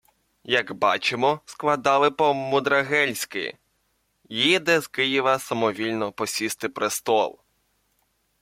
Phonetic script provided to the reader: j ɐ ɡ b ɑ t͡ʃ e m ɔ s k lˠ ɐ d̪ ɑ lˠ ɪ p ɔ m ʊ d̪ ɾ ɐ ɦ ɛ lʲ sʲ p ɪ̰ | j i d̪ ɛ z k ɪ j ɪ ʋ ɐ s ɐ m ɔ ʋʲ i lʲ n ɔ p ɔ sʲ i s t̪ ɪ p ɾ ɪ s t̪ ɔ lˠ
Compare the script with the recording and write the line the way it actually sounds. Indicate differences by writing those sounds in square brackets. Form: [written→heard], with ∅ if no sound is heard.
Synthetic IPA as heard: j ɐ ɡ b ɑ t͡ʃ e m ɔ s k lˠ ɐ d̪ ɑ lˠ ɪ p ɔ m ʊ d̪ ɾ ɐ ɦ ɛ lʲ sʲ [p→k] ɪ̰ | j i d̪ ɛ z k ɪ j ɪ ʋ ɐ s ɐ m ɔ ʋʲ i lʲ n ɔ p ɔ sʲ i s t̪ ɪ p ɾ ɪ s t̪ ɔ lˠ